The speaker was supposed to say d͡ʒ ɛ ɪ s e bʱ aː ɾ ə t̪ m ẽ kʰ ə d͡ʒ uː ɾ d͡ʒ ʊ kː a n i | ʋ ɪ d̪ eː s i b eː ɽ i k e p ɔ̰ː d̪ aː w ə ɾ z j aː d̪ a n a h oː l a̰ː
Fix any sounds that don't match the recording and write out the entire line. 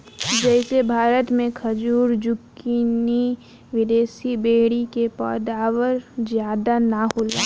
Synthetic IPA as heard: d͡ʒ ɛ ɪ s e bʱ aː ɾ ə t̪ m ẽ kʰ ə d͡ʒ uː ɾ d͡ʒ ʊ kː i n i | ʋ ɪ d̪ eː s i b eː ɽ i k e p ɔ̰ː d̪ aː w ə ɾ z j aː d̪ a n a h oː l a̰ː